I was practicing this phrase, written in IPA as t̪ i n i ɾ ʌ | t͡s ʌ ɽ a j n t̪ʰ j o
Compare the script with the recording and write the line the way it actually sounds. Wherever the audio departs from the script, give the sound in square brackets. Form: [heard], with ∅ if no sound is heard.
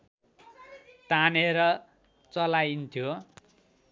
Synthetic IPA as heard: t̪ [a] n [e] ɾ ʌ | t͡s ʌ [l] a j n t̪ʰ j o